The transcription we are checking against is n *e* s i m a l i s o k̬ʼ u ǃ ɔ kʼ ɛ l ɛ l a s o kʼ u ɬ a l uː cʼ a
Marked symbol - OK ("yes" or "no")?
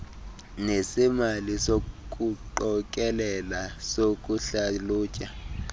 yes